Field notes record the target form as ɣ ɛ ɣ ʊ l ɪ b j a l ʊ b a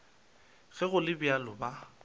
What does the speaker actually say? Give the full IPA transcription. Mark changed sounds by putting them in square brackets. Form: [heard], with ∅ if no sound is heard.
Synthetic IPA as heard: ɣ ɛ ɣ ʊ l ɪ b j a l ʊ b a